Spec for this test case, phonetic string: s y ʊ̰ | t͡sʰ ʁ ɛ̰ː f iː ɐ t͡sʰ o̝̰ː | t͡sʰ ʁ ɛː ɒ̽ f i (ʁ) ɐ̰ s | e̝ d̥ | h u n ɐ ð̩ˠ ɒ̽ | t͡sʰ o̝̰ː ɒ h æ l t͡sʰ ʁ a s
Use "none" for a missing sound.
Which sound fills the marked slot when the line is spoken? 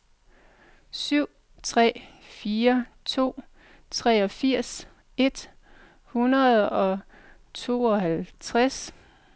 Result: none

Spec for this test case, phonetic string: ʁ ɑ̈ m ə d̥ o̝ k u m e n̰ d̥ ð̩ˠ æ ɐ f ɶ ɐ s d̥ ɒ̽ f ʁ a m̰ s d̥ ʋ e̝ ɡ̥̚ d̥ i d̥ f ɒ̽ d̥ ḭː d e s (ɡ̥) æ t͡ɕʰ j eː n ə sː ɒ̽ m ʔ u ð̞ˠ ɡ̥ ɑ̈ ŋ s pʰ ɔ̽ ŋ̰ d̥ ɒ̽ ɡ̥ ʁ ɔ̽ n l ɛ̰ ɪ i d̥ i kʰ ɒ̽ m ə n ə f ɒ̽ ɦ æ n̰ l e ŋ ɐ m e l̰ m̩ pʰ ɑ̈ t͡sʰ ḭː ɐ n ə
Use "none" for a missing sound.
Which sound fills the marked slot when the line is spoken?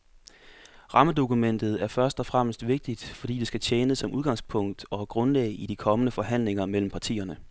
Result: ɡ̥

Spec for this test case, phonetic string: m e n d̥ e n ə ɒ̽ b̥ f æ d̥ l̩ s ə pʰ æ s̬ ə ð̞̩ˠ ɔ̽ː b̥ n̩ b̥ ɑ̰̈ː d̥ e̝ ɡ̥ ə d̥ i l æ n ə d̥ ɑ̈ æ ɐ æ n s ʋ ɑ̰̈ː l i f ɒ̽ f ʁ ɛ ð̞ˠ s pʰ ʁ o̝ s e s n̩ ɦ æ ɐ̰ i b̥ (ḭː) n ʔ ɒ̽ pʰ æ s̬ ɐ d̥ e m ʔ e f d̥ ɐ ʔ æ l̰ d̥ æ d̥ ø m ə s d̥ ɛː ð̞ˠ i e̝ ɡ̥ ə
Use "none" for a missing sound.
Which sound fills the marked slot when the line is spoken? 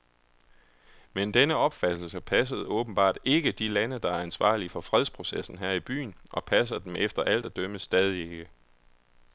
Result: y̰ː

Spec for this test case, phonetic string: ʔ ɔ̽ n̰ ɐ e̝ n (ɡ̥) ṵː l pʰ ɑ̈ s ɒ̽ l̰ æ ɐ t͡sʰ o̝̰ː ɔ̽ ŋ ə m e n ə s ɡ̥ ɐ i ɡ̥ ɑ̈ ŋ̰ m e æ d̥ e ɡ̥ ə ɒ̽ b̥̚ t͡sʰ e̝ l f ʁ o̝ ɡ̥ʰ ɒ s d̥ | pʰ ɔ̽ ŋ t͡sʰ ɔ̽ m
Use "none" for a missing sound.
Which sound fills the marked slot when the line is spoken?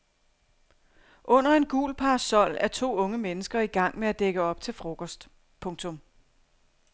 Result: ɡ̥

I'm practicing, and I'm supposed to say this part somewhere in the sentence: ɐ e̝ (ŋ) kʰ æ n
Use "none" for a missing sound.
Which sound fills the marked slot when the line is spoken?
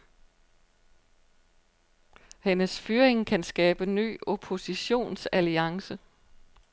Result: ŋ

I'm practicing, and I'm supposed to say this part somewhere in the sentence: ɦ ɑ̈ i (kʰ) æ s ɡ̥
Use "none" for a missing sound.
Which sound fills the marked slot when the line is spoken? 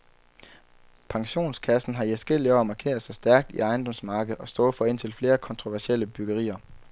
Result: none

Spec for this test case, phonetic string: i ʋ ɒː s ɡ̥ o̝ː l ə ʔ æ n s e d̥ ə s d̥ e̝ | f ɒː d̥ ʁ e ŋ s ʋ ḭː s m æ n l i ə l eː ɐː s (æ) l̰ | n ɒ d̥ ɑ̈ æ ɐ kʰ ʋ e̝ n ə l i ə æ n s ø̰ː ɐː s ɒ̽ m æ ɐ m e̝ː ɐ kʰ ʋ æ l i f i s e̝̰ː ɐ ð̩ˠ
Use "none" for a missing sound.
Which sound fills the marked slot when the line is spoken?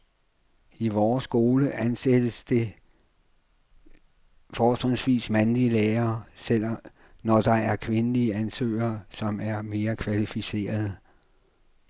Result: e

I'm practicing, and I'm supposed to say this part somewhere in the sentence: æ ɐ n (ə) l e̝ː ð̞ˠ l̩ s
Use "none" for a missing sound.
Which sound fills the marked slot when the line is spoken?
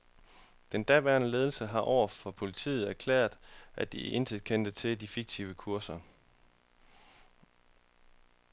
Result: ə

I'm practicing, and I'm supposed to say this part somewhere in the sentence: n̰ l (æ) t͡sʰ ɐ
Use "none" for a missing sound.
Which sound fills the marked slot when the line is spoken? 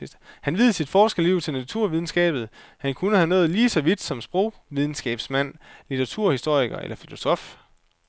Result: i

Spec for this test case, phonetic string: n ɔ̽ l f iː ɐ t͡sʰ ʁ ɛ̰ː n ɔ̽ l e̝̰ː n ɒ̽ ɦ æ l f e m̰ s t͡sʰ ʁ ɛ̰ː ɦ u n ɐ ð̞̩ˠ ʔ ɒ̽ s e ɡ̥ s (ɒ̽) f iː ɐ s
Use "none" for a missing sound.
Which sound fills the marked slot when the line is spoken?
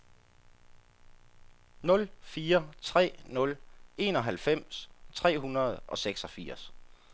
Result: ɒ̽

